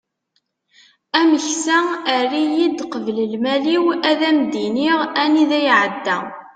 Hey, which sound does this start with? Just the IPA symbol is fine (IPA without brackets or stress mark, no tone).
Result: æ